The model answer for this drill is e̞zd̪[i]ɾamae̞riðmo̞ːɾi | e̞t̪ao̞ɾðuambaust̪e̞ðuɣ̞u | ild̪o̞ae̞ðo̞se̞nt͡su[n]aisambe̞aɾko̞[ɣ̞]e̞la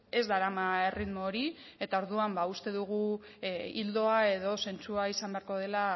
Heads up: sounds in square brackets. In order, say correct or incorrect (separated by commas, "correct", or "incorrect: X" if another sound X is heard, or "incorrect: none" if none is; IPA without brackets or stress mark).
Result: incorrect: a, incorrect: none, incorrect: ð̞